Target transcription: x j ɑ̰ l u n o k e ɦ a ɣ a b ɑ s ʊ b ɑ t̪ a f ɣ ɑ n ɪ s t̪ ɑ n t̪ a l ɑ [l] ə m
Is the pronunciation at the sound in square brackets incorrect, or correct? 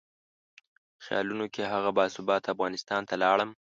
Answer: incorrect